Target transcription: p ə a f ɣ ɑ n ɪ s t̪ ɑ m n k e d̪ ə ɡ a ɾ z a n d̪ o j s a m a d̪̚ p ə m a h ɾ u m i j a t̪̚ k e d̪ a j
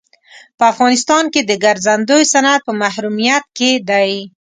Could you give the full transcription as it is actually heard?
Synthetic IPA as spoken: p ə a f ɣ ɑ n ɪ s t̪ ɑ n k e d̪ ə ɡ a ɾ z a n d̪ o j s a n a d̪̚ p ə m a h ɾ u m i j a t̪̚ k e d̪ a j